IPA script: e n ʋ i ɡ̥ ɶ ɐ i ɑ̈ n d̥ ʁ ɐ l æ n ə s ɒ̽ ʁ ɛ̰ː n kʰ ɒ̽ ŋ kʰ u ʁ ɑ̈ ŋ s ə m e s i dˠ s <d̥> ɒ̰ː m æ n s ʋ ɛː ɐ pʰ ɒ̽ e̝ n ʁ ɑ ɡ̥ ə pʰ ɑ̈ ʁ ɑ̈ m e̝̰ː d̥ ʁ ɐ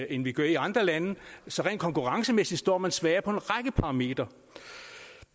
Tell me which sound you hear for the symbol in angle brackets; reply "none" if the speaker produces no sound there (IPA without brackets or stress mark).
d̥